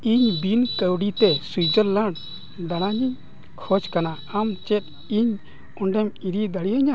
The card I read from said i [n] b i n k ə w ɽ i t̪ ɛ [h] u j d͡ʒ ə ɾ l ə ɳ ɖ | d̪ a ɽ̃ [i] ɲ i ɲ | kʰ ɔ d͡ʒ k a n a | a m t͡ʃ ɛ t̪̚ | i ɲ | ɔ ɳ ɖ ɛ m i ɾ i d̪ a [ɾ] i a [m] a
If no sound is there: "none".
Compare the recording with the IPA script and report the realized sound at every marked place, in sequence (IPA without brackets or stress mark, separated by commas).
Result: ɲ, s, a, ɽ, ɲ